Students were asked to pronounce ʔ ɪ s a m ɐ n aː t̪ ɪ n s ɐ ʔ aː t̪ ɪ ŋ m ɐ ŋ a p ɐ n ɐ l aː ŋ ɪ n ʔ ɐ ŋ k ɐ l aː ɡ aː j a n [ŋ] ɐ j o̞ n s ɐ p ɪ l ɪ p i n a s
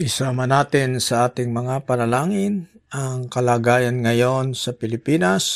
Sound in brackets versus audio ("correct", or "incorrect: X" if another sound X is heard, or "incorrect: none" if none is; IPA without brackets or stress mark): correct